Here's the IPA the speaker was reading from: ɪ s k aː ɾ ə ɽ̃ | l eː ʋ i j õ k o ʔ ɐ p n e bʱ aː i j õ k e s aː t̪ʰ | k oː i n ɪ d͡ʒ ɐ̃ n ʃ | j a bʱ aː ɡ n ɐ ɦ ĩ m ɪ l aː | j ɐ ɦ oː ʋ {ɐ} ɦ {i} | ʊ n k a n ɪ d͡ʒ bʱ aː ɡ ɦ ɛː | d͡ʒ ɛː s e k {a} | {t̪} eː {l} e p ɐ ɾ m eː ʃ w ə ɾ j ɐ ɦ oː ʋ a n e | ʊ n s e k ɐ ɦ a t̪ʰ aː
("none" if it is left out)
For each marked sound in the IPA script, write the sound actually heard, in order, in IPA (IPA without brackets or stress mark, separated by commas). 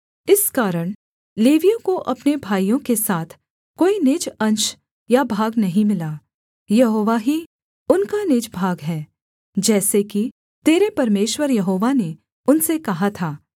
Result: a, i, i, t̪, ɾ